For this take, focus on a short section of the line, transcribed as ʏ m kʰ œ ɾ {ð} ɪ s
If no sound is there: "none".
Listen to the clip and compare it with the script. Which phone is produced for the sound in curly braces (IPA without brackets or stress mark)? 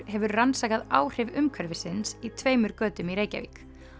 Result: v